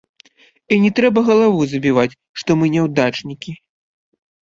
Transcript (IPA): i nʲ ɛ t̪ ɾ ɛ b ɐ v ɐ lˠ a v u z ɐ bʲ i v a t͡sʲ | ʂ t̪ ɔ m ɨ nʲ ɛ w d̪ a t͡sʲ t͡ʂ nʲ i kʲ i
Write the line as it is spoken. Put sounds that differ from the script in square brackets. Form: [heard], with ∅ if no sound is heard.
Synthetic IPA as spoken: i nʲ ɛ t̪ ɾ ɛ b ɐ [ɣ] ɐ lˠ a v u z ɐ bʲ i v a t͡sʲ | ʂ t̪ ɔ m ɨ nʲ ɛ w d̪ a [∅] t͡ʂ nʲ i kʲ i

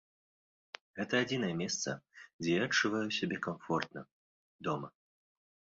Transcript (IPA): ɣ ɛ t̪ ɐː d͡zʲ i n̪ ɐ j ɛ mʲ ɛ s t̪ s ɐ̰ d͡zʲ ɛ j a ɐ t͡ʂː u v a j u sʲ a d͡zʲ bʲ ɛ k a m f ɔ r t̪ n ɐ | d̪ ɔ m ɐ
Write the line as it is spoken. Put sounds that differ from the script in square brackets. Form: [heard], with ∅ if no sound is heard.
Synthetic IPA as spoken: ɣ ɛ t̪ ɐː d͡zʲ i n̪ ɐ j ɛ mʲ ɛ s t̪ s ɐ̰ d͡zʲ ɛ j a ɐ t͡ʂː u v a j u sʲ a [∅] bʲ ɛ k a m f ɔ r t̪ n ɐ | d̪ ɔ m ɐ

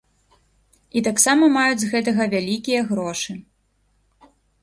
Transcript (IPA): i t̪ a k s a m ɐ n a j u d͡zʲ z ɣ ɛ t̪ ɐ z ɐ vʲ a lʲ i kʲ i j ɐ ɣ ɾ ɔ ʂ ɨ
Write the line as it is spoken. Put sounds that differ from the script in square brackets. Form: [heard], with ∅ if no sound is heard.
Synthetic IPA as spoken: i t̪ a k s a m ɐ [m] a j u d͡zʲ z ɣ ɛ t̪ ɐ [ɣ] ɐ vʲ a lʲ i kʲ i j ɐ ɣ ɾ ɔ ʂ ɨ

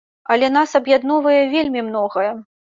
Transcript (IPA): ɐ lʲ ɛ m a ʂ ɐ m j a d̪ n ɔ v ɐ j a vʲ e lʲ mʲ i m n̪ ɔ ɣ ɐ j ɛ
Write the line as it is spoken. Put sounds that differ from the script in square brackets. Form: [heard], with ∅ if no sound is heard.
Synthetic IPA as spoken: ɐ lʲ ɛ [n] a [s] ɐ [b] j a d̪ n ɔ v ɐ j [ɛ] vʲ e lʲ mʲ i m n̪ ɔ ɣ ɐ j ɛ

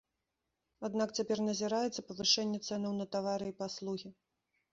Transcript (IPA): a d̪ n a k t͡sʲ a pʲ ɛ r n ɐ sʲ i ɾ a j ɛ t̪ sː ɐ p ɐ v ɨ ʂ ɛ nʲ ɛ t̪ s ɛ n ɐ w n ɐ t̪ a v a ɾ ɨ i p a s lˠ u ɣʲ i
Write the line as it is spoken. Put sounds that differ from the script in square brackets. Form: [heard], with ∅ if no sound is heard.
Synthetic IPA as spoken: a d̪ n a k t͡sʲ a pʲ ɛ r n ɐ [zʲ] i ɾ a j ɛ t̪ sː ɐ p ɐ v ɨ ʂ ɛ [nʲː] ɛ t̪ s ɛ n ɐ w n ɐ t̪ a v a ɾ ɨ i p a s lˠ u ɣʲ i

